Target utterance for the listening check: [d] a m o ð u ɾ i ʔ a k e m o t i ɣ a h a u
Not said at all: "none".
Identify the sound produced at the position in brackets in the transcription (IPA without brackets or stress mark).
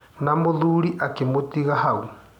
n